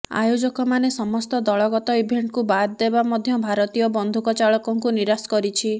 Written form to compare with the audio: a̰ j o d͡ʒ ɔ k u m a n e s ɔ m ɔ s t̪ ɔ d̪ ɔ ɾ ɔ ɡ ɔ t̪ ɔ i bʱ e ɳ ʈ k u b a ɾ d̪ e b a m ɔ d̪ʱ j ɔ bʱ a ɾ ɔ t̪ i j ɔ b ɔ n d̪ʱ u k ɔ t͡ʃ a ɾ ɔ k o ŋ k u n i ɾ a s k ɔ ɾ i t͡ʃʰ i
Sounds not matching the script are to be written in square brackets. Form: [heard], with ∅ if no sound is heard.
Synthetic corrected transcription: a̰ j o d͡ʒ ɔ k [ɔ] m a n e s ɔ m ɔ s t̪ ɔ d̪ ɔ [ɭ] ɔ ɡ ɔ t̪ ɔ i bʱ e ɳ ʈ k u b a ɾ d̪ e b a m ɔ d̪ʱ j ɔ bʱ a ɾ ɔ t̪ i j ɔ b ɔ n d̪ʱ u k ɔ t͡ʃ a [ɭ] ɔ k [ɔ] ŋ k u n i ɾ a s k ɔ ɾ i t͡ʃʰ i